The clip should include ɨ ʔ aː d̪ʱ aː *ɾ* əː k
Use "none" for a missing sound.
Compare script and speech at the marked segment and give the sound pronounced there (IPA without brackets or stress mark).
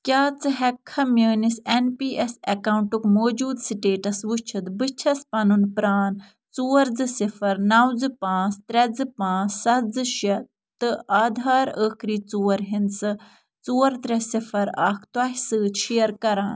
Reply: ɾ